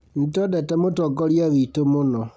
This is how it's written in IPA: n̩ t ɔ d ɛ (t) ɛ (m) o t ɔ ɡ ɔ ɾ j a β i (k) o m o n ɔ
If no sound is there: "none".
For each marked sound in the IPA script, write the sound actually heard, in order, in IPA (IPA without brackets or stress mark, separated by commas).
t, m, t